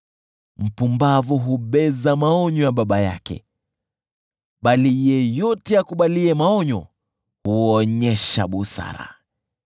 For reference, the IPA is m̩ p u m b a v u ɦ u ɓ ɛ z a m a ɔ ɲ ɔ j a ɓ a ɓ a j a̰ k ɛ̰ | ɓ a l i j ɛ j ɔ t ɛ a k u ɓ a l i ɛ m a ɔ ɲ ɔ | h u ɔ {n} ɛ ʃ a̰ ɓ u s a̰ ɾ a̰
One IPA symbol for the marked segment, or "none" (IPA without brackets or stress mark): ɲ